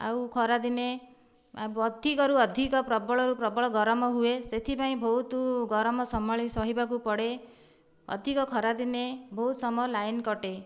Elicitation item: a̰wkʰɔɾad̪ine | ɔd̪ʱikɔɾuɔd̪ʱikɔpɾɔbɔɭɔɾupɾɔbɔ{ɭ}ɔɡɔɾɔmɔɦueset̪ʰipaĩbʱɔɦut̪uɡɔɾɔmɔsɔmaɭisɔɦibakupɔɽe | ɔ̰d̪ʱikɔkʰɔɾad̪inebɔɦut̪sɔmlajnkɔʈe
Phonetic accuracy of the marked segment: correct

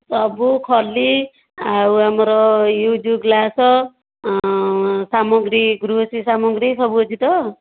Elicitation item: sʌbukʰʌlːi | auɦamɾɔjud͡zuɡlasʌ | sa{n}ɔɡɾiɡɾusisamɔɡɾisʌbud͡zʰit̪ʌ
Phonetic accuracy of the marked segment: incorrect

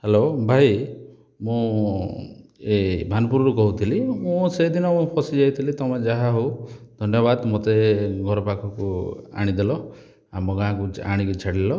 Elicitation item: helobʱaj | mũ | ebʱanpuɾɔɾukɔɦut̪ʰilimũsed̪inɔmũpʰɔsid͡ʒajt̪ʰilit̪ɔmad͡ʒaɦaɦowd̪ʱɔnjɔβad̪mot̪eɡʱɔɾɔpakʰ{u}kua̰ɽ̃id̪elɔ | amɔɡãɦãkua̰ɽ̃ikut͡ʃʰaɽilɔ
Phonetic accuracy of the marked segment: incorrect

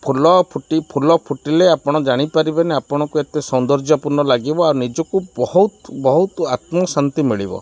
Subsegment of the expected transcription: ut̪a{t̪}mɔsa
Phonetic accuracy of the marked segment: correct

